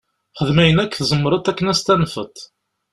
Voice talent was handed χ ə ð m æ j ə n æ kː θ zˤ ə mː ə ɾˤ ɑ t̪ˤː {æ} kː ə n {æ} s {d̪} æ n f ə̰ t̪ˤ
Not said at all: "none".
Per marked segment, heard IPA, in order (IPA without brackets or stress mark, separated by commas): æ, æ, t̪